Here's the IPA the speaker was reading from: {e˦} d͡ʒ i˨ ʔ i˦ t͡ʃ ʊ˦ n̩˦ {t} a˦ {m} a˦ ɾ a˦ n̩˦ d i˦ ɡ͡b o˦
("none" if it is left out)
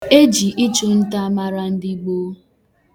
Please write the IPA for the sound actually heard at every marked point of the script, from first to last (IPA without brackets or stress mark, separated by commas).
e˦, t, m